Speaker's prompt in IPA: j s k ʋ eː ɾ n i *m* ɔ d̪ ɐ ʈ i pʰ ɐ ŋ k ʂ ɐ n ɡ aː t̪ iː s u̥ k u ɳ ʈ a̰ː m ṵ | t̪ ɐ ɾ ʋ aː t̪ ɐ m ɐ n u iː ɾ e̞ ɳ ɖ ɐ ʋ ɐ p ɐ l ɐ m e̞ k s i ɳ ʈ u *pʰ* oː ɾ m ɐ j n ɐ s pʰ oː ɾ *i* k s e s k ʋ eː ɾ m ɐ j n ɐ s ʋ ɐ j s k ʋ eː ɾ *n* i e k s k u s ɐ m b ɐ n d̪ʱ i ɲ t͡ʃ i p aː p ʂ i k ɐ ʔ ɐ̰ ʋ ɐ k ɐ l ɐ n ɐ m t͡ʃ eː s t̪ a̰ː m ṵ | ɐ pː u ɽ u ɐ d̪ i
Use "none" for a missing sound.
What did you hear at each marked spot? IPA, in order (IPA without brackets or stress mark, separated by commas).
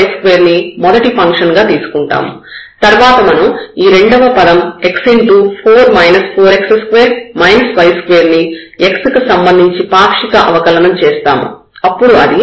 m, pʰ, e, n